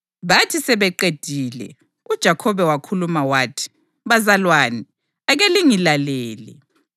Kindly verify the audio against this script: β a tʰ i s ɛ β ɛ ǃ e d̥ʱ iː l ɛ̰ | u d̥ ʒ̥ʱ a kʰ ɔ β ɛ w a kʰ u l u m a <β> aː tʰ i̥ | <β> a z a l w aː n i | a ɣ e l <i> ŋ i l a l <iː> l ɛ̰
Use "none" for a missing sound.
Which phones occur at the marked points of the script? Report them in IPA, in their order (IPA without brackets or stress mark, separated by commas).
w, β, i, ɛː